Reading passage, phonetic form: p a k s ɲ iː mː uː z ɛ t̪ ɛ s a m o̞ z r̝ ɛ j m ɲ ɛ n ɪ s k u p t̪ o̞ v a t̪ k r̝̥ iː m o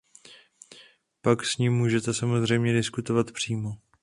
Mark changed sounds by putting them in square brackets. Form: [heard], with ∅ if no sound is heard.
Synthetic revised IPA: p a k s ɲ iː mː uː [ʒ] ɛ t̪ ɛ s a m o̞ z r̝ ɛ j m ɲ ɛ [d] ɪ s k u [∅] t̪ o̞ v a t̪ [p] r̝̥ iː m o